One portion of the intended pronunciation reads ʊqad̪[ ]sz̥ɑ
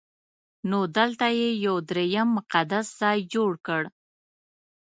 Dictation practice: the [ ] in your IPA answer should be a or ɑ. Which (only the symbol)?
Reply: a